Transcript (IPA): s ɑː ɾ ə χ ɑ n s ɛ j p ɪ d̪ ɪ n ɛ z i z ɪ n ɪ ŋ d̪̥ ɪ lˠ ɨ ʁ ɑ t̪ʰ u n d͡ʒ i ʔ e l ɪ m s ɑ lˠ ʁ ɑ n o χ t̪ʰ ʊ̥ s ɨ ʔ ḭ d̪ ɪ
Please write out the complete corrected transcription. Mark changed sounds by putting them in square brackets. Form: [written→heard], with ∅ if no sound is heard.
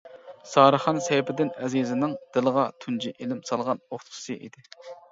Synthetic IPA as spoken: s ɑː ɾ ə χ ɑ n s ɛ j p ɪ d̪ ɪ n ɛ z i z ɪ n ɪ ŋ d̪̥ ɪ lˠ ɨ ʁ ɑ t̪ʰ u n d͡ʒ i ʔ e l ɪ m s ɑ lˠ ʁ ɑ n o χ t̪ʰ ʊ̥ s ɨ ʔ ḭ d̪ ɪ